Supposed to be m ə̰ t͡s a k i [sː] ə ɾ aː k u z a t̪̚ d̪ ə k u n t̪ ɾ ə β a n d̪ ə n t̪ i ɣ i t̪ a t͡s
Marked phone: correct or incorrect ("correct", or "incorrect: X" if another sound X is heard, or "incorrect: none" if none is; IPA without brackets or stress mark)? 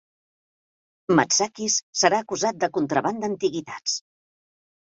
correct